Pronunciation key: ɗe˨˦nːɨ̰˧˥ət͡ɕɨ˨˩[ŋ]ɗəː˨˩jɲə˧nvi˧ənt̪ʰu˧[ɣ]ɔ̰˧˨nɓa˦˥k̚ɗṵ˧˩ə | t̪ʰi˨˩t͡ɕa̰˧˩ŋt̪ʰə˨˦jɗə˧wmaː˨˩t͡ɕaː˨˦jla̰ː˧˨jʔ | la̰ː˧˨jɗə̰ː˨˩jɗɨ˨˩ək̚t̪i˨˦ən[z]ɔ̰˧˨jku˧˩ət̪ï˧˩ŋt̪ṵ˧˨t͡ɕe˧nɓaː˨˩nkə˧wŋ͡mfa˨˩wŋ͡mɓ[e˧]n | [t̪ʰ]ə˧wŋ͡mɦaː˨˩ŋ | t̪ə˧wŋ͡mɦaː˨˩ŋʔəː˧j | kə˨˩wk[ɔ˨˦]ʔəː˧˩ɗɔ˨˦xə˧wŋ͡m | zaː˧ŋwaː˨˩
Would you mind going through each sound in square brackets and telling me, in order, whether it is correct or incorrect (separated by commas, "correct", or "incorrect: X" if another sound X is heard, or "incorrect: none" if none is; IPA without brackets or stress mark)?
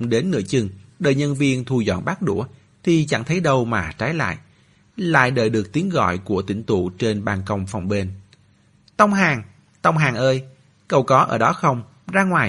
correct, incorrect: z, incorrect: ɣ, correct, incorrect: t̪, correct